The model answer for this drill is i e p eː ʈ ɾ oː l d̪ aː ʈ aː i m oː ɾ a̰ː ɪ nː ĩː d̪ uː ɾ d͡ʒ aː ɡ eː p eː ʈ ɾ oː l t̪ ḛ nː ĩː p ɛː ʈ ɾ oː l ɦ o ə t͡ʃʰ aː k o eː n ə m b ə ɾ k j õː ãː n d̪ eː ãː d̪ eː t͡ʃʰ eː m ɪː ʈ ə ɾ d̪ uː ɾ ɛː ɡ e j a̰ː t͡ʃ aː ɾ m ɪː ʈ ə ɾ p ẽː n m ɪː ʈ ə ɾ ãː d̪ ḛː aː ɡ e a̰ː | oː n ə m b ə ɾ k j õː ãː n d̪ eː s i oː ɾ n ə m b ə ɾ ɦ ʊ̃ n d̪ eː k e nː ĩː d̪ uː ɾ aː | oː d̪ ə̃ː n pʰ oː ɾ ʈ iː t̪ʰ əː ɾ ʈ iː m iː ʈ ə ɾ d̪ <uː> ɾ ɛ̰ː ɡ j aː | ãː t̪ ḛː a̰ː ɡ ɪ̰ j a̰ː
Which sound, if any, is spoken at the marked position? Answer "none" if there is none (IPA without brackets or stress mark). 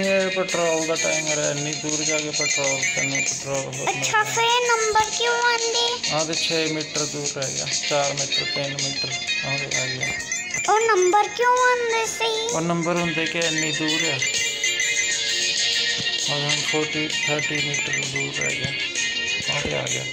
uː